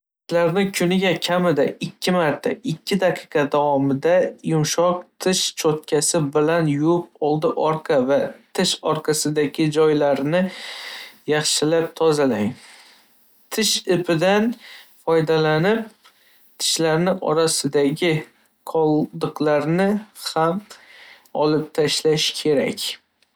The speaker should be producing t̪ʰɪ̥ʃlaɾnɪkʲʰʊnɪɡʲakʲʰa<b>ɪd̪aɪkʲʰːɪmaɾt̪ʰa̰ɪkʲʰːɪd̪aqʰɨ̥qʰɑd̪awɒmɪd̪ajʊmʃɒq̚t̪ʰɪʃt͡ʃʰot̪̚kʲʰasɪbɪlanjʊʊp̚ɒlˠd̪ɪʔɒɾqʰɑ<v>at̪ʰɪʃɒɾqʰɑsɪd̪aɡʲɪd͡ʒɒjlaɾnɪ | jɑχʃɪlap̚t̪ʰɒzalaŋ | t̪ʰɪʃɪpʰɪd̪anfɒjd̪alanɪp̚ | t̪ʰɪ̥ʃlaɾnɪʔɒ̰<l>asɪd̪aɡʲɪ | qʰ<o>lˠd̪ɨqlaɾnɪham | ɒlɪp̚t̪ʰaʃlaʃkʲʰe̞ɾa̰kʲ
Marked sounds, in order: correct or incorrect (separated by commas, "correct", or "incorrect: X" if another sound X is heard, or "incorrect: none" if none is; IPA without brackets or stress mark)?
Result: incorrect: m, correct, incorrect: ɾ, incorrect: ɒ